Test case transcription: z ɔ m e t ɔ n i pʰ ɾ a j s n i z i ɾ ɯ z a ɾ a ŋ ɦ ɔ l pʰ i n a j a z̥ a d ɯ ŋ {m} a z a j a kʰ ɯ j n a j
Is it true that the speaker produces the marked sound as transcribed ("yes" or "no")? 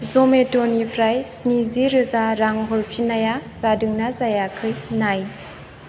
no